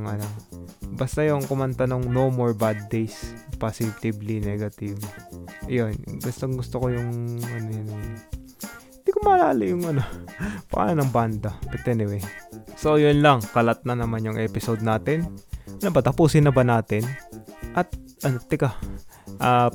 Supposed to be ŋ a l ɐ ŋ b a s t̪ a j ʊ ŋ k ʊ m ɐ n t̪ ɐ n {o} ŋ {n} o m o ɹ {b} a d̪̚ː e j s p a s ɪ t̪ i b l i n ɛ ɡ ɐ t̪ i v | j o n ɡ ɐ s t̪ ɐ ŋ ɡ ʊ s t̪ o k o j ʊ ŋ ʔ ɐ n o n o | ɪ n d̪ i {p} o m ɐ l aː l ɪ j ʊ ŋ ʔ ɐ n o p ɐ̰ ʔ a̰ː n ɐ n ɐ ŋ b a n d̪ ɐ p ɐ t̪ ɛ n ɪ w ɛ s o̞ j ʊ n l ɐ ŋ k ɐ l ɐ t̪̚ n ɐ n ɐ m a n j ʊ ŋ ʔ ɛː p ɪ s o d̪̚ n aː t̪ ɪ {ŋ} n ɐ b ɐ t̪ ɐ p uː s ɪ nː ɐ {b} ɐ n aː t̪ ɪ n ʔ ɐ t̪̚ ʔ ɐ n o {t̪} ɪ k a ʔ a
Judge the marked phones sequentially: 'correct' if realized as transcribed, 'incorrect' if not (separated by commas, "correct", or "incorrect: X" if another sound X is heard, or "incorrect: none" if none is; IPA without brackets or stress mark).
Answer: correct, correct, correct, incorrect: k, incorrect: n, correct, correct